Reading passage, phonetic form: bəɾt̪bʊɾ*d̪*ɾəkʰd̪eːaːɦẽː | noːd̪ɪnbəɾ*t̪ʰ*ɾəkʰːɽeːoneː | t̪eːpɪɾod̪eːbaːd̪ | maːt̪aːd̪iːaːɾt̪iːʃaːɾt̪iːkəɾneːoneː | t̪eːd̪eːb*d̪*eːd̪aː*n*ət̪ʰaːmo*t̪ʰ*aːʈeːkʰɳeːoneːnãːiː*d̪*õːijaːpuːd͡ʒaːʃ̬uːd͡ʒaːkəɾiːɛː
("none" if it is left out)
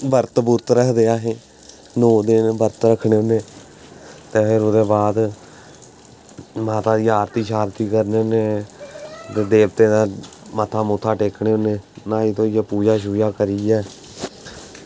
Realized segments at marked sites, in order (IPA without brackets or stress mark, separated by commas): t̪, t̪, t̪, m, t̪ʰ, t̪